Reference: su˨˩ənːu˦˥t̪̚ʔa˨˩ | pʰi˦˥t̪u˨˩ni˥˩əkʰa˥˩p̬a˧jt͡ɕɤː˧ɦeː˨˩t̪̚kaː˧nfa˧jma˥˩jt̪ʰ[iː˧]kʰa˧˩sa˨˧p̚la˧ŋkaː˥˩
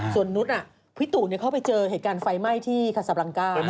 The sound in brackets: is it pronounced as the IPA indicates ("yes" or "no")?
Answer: no